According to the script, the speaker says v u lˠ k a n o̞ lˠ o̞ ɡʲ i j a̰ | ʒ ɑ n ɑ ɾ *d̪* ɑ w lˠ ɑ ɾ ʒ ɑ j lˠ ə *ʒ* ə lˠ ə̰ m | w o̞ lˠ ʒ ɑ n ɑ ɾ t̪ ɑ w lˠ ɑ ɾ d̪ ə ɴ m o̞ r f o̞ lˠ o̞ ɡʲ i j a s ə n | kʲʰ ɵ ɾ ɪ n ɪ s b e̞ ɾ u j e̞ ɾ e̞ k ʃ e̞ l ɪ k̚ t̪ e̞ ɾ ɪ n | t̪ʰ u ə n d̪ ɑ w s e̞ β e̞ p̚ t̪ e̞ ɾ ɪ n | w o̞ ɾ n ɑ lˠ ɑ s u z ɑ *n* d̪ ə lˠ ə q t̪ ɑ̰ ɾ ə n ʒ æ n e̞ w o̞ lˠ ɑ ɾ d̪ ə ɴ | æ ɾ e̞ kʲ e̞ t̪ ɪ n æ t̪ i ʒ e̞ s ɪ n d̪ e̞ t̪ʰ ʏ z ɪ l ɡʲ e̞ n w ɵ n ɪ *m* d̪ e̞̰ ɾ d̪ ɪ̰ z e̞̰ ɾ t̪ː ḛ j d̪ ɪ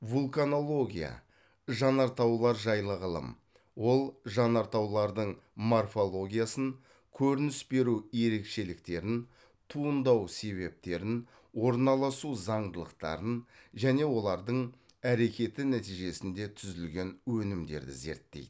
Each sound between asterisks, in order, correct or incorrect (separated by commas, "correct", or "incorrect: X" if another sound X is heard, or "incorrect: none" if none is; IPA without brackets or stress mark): incorrect: t̪, incorrect: ʁ, incorrect: ɴ, correct